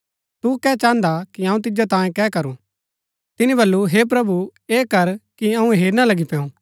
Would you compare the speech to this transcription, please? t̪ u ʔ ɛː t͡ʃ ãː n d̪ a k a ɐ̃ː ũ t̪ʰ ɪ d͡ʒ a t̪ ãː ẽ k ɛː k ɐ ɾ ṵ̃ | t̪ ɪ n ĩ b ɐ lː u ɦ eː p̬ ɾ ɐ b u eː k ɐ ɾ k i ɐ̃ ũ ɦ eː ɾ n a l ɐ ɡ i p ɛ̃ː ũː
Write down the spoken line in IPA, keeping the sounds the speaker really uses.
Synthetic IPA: t̪ u k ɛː t͡ʃ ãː n d̪ a k i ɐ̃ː ũ t̪ ɪ d͡ʒ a t̪ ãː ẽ k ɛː k ɐ ɾ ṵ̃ | t̪ ɪ n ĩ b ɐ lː u ɦ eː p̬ ɾ ɐ b u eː k ɐ ɾ k i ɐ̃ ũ ɦ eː ɾ n a l ɐ ɡ i p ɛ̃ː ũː